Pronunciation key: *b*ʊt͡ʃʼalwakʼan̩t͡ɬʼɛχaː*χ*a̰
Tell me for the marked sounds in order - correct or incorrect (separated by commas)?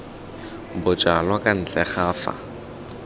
correct, incorrect